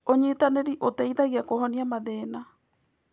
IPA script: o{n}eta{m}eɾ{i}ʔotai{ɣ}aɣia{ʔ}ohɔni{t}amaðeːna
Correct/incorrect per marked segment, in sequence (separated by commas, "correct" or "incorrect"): incorrect, incorrect, correct, incorrect, incorrect, incorrect